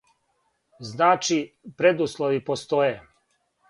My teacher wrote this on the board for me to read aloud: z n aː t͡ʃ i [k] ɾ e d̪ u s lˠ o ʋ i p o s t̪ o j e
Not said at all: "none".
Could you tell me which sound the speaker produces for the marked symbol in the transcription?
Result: p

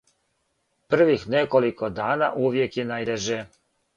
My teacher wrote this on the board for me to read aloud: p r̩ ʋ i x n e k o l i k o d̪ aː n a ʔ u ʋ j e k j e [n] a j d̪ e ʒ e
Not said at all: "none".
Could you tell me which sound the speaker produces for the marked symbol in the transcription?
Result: n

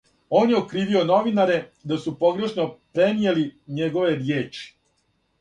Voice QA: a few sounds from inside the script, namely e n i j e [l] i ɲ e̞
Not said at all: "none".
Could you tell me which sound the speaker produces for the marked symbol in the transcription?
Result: l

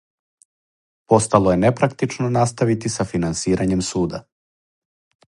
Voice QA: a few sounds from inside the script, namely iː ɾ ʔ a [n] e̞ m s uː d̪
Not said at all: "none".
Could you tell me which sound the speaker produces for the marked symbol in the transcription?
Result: ɲ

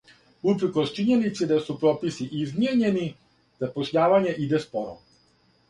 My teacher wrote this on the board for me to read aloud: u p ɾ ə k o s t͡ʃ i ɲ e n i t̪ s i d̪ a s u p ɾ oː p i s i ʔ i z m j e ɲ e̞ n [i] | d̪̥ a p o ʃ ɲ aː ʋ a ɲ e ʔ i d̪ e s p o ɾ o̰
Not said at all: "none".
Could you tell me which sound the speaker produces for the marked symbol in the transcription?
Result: i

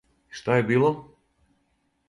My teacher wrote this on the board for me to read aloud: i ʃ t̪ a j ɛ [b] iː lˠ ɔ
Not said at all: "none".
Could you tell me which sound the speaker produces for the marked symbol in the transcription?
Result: b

